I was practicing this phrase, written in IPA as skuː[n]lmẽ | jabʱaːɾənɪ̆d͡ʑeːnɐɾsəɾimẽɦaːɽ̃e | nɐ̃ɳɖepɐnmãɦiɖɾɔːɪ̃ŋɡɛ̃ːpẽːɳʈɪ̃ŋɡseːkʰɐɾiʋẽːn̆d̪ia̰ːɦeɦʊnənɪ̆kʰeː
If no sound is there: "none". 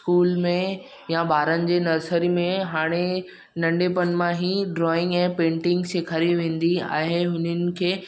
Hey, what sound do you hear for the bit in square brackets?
none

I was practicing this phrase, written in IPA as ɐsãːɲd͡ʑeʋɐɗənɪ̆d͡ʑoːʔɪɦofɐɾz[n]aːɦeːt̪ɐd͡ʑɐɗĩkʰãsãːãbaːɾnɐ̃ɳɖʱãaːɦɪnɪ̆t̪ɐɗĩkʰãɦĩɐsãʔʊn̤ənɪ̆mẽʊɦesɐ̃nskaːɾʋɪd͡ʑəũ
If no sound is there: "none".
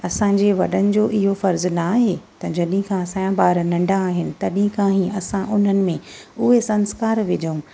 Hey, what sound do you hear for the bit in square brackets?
n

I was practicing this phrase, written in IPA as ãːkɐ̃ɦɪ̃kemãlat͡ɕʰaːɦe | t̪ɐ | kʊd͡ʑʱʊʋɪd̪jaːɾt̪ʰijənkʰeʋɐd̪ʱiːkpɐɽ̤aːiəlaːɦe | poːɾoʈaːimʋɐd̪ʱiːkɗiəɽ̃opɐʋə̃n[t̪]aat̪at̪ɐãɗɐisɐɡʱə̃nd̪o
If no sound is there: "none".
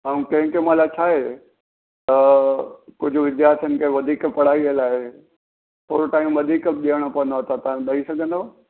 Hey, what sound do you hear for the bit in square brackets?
d̪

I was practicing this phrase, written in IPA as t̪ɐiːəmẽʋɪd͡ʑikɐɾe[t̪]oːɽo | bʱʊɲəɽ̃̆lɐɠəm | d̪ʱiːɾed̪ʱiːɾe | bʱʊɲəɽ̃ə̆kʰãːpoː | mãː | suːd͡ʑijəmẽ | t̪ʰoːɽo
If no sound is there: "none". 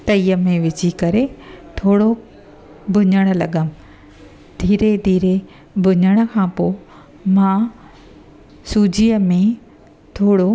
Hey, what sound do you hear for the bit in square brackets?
t̪ʰ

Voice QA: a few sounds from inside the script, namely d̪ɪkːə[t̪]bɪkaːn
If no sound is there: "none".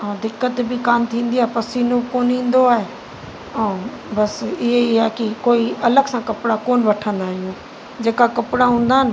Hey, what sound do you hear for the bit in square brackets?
t̪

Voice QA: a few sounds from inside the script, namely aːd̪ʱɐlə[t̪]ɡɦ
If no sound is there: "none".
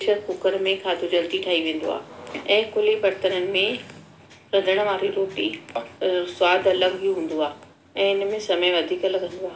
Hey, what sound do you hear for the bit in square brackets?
none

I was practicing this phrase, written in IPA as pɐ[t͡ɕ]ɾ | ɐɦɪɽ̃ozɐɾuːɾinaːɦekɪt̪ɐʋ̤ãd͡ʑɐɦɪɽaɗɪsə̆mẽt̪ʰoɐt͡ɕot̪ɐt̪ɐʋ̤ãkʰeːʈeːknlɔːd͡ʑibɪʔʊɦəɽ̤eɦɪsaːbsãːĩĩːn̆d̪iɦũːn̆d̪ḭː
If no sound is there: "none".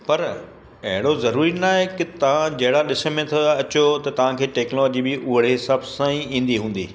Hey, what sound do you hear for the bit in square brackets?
none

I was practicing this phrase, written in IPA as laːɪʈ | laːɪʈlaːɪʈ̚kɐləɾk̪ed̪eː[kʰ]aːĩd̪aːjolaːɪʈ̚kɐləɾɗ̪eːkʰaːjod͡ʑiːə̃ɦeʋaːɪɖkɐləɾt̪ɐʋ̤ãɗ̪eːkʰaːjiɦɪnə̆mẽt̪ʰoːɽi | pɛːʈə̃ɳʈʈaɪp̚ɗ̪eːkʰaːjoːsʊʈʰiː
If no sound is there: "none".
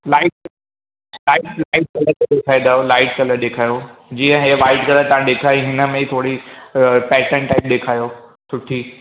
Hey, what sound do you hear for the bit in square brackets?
kʰ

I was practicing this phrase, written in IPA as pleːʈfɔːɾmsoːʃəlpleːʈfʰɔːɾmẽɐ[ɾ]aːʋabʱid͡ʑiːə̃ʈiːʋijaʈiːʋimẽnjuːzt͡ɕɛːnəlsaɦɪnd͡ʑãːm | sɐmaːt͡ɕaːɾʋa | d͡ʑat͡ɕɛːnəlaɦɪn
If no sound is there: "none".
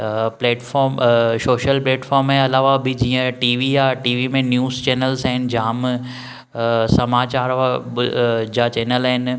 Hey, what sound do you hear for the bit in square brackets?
l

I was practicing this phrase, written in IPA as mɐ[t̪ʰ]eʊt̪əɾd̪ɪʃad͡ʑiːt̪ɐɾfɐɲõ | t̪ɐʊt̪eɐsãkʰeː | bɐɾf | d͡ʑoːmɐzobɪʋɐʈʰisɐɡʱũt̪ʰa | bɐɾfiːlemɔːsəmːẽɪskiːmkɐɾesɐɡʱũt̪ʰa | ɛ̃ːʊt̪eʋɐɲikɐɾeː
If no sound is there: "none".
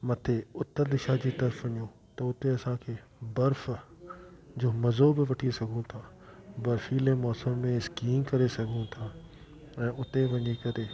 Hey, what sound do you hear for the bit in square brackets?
t̪ʰ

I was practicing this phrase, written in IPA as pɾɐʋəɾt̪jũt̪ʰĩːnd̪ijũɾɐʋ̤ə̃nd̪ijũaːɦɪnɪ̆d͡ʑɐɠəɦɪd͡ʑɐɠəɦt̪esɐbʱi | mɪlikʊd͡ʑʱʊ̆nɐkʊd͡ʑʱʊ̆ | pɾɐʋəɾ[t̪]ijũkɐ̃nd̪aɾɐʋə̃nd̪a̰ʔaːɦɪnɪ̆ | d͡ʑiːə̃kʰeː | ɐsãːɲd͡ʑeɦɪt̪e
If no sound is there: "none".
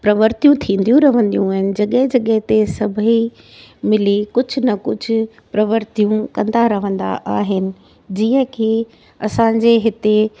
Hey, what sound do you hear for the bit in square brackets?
t̪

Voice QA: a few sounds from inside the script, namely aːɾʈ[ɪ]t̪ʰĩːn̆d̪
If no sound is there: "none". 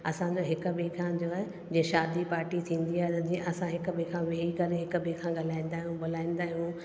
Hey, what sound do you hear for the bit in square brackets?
i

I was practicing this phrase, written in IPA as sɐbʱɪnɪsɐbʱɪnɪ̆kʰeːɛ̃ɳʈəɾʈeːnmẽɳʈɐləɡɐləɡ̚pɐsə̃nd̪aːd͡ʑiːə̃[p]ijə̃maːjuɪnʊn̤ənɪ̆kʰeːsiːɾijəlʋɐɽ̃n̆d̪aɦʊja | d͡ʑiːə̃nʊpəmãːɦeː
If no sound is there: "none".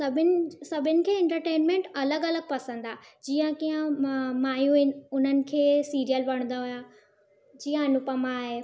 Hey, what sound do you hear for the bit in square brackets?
k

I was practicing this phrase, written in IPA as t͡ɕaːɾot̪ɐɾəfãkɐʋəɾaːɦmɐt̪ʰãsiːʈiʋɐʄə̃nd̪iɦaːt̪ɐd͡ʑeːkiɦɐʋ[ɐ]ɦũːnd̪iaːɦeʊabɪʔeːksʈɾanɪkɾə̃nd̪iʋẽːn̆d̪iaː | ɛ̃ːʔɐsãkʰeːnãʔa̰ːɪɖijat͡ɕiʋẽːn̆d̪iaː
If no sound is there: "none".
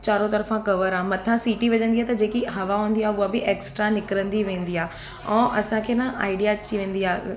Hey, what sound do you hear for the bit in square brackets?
a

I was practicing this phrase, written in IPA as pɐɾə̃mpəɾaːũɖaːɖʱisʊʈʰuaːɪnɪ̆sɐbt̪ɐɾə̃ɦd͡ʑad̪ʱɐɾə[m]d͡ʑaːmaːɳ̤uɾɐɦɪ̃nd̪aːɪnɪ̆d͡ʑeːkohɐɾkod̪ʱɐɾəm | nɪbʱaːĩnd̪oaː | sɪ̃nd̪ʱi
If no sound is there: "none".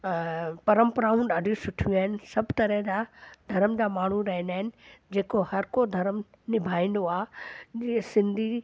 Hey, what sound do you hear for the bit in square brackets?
m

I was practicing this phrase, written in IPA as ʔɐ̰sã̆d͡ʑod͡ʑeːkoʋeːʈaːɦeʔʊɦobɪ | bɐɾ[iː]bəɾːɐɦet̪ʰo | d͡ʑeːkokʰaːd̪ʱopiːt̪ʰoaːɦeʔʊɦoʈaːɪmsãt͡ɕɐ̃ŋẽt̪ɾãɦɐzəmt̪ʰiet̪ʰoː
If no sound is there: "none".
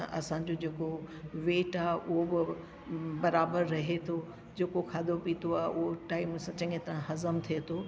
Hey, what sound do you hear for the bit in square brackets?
aː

